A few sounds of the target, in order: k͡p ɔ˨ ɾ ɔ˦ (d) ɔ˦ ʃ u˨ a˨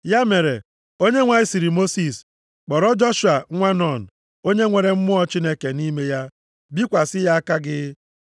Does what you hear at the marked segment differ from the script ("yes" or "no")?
yes